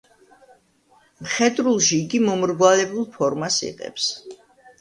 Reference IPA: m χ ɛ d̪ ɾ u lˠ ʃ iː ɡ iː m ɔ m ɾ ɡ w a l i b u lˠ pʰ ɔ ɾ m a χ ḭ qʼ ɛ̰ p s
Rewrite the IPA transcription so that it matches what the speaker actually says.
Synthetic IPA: m χ ɛ d̪ ɾ u lˠ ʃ iː ɡ i m ɔ m ɾ ɡ w a l ɛ b u lˠ pʰ ɔ ɾ m a s ḭ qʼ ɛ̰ p s

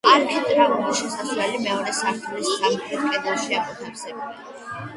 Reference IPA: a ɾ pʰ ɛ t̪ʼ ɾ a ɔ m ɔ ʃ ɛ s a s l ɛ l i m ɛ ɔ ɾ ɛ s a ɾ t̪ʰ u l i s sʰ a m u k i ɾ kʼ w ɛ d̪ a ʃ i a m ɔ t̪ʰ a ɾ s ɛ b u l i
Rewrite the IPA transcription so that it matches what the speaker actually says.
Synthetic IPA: a ɾ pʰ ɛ t̪ʼ ɾ a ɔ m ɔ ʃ ɛ s a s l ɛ l i m ɛ ɔ ɾ ɛ s a ɾ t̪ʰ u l i s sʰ a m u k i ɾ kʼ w ɛ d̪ a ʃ i a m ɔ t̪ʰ a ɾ s ɛ b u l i

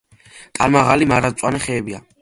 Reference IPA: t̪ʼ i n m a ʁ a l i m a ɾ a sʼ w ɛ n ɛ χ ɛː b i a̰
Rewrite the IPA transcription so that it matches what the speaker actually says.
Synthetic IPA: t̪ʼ a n m a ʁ a l i m a ɾ a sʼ w a n ɛ χ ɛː b i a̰

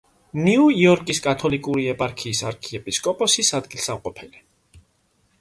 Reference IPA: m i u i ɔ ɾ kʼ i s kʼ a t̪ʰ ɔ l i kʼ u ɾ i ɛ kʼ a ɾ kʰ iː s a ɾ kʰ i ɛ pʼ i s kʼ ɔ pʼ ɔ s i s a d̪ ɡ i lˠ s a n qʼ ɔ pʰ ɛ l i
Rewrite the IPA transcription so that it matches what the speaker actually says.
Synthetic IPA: n i u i ɔ ɾ kʼ i s kʼ a t̪ʰ ɔ l i kʼ u ɾ i ɛ pʼ a ɾ kʰ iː s a ɾ kʰ i ɛ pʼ i s kʼ ɔ pʼ ɔ s i s a d̪ ɡ i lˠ s a m qʼ ɔ pʰ ɛ l i

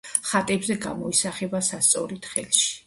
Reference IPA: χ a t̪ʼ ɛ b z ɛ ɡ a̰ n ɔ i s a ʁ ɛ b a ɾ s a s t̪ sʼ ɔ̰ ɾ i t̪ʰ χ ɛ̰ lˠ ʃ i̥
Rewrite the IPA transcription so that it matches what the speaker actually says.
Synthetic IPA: χ a t̪ʼ ɛ b z ɛ ɡ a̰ m ɔ i s a χ ɛ b a s a s t̪ sʼ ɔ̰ ɾ i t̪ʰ χ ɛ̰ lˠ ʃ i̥

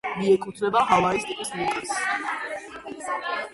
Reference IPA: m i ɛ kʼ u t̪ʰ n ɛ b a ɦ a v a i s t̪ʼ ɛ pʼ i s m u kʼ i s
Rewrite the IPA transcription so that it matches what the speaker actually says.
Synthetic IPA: m i ɛ kʼ u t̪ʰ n ɛ b a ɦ a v a i s t̪ʼ i pʼ i s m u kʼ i s

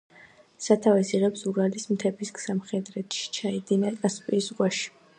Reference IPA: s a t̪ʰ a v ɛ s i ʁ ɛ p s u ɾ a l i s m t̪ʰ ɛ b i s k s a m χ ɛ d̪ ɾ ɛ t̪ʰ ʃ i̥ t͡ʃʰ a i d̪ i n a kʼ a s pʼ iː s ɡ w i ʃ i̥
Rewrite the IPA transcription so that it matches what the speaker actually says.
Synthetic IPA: s a t̪ʰ a v ɛ s i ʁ ɛ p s u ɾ a l i s m t̪ʰ ɛ b i s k s a m χ ɛ d̪ ɾ ɛ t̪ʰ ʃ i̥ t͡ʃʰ a i d̪ i n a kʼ a s pʼ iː s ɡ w a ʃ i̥

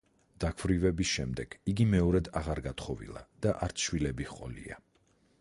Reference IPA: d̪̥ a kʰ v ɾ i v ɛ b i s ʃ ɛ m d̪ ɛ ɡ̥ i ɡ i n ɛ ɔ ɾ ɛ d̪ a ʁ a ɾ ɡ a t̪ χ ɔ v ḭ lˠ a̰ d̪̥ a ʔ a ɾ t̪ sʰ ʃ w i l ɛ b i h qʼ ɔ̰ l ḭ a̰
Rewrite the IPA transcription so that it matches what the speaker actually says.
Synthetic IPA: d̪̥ a kʰ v ɾ i v ɛ b i s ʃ ɛ m d̪ ɛ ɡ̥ i ɡ i m ɛ ɔ ɾ ɛ d̪ a ʁ a ɾ ɡ a t̪ χ ɔ v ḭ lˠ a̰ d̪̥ a ʔ a ɾ t̪ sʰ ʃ w i l ɛ b i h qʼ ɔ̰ l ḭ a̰

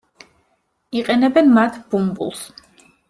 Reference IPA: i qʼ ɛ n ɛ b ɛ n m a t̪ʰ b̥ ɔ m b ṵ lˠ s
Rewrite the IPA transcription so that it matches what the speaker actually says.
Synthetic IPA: i qʼ ɛ n ɛ b ɛ n m a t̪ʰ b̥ u m b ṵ lˠ s

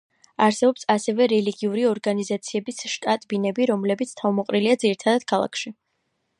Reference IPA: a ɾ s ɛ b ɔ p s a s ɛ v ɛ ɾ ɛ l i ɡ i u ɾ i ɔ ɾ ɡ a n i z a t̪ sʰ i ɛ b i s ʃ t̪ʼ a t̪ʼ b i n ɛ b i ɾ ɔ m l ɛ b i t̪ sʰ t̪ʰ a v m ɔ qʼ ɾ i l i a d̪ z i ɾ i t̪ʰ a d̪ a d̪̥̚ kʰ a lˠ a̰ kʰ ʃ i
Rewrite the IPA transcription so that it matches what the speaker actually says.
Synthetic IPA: a ɾ s ɛ b ɔ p s a s ɛ v ɛ ɾ ɛ l i ɡ i u ɾ i ɔ ɾ ɡ a n i z a t̪ sʰ i ɛ b i s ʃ t̪ʼ a t̪ʼ b i n ɛ b i ɾ ɔ m l ɛ b i t̪ sʰ t̪ʰ a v m ɔ qʼ ɾ i l i a d̪ z i ɾ i t̪ʰ a d̪ a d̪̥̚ kʰ a lˠ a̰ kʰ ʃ i

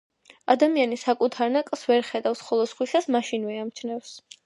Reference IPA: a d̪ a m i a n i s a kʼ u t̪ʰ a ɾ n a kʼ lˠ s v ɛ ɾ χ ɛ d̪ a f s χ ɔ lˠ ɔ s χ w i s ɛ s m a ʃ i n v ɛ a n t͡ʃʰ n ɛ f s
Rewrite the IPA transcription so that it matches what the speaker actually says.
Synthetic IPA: a d̪ a m i a n i s a kʼ u t̪ʰ a ɾ n a kʼ lˠ s v ɛ ɾ χ ɛ d̪ a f s χ ɔ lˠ ɔ s χ w i s a s m a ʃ i n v ɛ a m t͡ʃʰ n ɛ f s

